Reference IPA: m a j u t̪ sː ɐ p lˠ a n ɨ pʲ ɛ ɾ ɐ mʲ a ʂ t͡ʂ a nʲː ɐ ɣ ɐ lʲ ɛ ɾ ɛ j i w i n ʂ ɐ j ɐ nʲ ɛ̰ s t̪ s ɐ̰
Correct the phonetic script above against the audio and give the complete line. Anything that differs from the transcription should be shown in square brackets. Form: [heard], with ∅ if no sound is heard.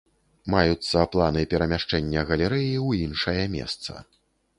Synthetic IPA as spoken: m a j u t̪ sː ɐ p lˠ a n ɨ pʲ ɛ ɾ ɐ mʲ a ʂ t͡ʂ [ɛ] nʲː ɐ ɣ ɐ lʲ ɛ ɾ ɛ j i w i n ʂ ɐ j ɐ [mʲ] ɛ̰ s t̪ s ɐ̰